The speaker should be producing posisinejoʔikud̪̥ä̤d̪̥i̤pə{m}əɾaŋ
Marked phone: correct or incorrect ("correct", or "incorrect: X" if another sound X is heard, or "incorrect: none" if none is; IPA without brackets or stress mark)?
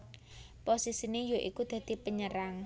incorrect: ɲ